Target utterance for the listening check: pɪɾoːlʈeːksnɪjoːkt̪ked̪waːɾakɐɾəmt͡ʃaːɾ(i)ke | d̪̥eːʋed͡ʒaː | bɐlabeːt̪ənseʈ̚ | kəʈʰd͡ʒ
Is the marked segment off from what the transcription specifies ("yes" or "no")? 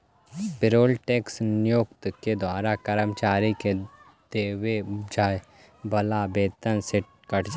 no